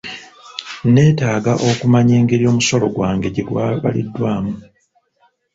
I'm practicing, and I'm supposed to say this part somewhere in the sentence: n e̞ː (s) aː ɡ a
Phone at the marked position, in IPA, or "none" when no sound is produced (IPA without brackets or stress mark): t